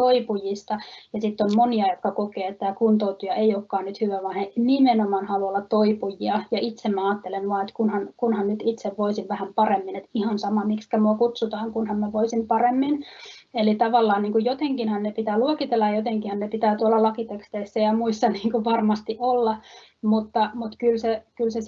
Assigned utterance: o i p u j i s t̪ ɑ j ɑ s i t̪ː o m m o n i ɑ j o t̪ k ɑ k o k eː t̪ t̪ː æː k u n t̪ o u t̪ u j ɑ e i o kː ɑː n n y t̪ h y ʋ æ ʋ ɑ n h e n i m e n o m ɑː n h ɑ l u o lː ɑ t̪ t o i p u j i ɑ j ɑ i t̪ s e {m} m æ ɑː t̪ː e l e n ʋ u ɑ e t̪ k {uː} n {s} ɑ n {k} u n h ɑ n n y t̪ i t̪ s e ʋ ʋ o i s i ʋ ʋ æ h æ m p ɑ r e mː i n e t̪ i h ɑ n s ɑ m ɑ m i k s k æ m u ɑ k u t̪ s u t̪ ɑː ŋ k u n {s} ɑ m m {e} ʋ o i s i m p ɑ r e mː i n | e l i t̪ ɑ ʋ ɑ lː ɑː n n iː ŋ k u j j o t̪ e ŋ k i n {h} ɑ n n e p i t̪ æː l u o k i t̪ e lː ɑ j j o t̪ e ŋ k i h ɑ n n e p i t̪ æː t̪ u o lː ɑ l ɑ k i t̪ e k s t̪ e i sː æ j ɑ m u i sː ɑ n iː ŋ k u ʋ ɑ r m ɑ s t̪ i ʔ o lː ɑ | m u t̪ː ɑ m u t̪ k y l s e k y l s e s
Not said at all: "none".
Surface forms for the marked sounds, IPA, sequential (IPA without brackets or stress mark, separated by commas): m, u, h, k, h, æ, h